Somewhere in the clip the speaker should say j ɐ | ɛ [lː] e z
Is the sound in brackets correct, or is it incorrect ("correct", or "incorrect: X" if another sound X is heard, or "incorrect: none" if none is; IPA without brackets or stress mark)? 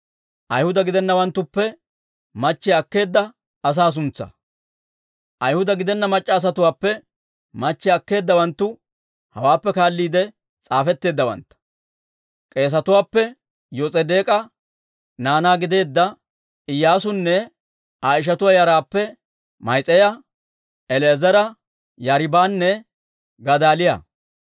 incorrect: l